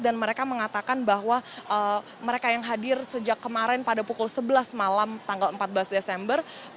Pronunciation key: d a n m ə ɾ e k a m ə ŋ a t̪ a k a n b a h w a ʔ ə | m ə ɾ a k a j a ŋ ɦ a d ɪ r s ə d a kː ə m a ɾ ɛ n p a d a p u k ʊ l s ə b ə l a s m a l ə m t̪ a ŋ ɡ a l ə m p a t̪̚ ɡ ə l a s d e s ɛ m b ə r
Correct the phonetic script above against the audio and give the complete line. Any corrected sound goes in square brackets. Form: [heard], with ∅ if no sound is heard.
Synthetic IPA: d a n m ə ɾ e k a m ə ŋ a t̪ a k a n b a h w a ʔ ə | m ə ɾ [e] k a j a ŋ ɦ a d ɪ r s ə [d͡ʒ] a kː ə m a ɾ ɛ n p a d a p u k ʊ l s ə b ə l a s m a l [a] m t̪ a ŋ ɡ a l ə m p a t̪̚ [b] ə l a s d e s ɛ m b ə r